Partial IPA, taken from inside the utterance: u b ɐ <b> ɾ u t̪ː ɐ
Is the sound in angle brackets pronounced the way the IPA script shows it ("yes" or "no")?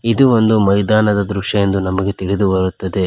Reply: no